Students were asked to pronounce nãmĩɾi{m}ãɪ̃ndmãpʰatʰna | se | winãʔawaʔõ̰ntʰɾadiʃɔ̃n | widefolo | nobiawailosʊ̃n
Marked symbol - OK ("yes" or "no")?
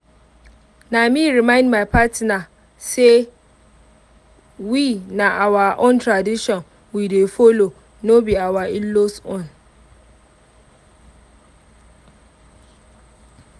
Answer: yes